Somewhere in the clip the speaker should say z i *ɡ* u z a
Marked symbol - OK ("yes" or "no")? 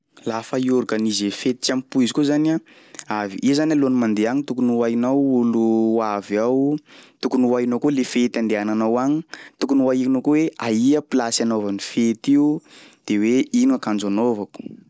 no